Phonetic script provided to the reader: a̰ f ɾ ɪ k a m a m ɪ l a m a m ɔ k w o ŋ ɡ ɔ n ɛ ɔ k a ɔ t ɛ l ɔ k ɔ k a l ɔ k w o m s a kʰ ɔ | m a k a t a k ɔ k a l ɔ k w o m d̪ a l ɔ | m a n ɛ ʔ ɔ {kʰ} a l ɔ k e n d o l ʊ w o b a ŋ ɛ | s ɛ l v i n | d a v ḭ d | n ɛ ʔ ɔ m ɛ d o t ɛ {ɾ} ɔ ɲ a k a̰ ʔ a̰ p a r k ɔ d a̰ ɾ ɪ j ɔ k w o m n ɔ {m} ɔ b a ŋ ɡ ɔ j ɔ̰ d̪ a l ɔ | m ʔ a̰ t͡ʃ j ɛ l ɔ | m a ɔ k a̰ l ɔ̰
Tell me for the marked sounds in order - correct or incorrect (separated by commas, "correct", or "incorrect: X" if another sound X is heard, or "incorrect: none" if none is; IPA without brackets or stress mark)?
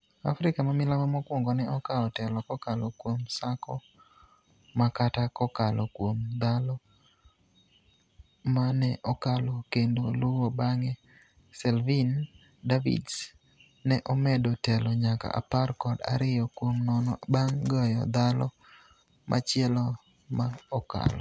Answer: incorrect: k, incorrect: l, incorrect: n